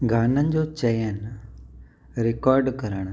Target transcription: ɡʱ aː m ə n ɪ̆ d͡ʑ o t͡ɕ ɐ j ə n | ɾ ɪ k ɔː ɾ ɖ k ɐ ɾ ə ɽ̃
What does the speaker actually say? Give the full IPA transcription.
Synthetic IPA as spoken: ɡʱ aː n ə n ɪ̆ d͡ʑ o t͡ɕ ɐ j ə n | ɾ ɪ k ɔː ɾ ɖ k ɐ ɾ ə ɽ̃